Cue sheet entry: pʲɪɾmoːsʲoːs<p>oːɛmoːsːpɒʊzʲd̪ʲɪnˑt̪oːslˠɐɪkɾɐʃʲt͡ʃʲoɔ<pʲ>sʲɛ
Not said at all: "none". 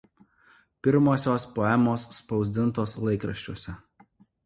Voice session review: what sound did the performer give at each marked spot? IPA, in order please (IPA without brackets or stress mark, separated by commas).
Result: p, none